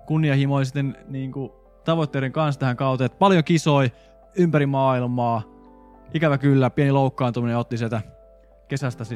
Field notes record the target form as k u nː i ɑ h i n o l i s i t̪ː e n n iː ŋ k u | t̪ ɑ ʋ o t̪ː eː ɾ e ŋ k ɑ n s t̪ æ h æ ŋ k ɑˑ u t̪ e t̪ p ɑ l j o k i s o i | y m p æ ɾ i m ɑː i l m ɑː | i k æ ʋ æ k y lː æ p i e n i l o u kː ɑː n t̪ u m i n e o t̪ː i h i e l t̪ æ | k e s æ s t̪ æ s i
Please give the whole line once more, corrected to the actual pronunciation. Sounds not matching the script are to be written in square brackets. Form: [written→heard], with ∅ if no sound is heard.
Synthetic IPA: k u nː i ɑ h i [n→m] o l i s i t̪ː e n n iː ŋ k u | t̪ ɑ ʋ o t̪ː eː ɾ e ŋ k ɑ n s t̪ æ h æ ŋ k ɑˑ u t̪ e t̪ p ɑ l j o k i s o i | y m p æ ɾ i m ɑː i l m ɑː | i k æ ʋ æ k y lː æ p i e n i l o u kː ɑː n t̪ u m i n e o t̪ː i [h→s] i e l t̪ æ | k e s æ s t̪ æ s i